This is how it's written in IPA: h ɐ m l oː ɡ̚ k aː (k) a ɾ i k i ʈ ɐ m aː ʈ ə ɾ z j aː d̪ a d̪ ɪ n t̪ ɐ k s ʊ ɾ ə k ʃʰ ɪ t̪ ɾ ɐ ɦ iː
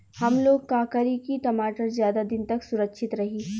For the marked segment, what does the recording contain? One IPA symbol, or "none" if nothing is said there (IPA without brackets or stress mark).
k